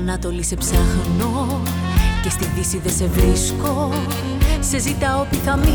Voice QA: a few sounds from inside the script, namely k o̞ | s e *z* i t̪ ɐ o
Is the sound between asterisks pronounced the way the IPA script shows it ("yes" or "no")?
yes